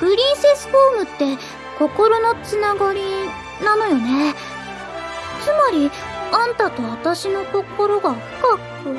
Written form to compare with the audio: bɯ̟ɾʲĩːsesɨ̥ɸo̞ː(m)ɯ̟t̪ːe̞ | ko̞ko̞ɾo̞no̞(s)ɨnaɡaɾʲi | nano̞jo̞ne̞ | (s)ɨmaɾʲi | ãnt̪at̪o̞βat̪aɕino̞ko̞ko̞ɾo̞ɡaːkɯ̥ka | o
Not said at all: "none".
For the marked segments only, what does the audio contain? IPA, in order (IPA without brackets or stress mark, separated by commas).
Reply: m, t͡s, t͡s